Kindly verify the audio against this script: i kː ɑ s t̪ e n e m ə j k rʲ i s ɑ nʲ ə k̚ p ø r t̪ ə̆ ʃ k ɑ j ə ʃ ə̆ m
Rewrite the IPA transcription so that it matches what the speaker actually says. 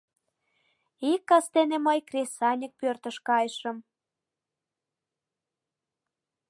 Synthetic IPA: i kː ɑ s t̪ e n e m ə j k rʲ e s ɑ nʲ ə k̚ p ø r t̪ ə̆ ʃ k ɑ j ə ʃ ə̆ m